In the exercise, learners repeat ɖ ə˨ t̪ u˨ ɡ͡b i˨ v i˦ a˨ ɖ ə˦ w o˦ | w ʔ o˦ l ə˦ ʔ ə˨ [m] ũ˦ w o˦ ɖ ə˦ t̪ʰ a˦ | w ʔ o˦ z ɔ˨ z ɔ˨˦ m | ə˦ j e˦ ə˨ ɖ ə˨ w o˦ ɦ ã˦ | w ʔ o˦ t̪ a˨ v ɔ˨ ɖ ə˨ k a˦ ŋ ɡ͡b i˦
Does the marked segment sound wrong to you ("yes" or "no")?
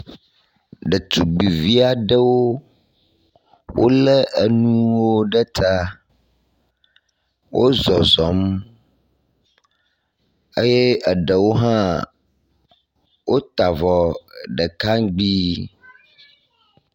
yes